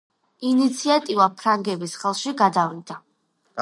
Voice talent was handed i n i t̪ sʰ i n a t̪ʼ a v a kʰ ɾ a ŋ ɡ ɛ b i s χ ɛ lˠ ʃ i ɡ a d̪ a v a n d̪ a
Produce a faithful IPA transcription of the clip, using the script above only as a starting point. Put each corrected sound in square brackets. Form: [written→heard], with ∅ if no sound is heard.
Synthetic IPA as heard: i n i t̪ sʰ i [n→∅] a t̪ʼ [a→i] v a [kʰ→pʰ] ɾ a ŋ ɡ ɛ b i s χ ɛ lˠ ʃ i ɡ a d̪ a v [a→i] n d̪ a